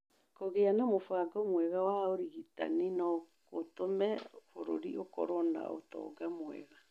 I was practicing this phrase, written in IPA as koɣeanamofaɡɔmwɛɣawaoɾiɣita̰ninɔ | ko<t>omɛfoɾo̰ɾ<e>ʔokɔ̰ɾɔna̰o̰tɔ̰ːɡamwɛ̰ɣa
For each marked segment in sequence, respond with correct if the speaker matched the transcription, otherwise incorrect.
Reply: correct, incorrect: i

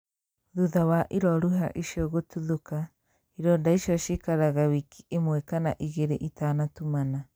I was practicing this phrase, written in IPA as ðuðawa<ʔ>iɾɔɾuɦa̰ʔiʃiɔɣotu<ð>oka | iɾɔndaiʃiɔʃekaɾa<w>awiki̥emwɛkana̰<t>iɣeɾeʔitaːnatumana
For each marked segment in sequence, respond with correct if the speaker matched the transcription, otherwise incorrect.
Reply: correct, correct, incorrect: ɣ, incorrect: ʔ

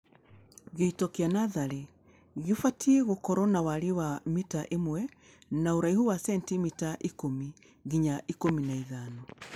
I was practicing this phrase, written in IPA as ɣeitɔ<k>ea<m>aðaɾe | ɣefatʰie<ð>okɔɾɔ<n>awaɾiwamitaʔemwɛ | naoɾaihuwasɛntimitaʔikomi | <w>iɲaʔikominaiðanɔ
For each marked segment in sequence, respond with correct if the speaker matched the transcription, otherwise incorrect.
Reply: correct, incorrect: n, incorrect: ɣ, correct, incorrect: ɣ

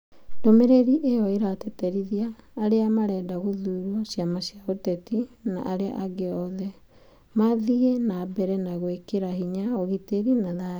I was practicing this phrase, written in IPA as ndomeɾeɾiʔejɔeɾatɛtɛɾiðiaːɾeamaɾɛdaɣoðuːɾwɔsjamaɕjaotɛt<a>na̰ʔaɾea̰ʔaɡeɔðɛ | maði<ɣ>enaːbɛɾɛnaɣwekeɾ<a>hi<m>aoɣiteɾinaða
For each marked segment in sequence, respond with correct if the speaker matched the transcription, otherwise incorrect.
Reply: incorrect: i, correct, correct, incorrect: ɲ

